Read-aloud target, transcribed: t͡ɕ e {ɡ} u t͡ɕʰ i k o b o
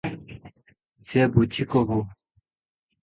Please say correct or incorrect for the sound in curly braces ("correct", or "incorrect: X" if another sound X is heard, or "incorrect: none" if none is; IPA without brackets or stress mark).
incorrect: b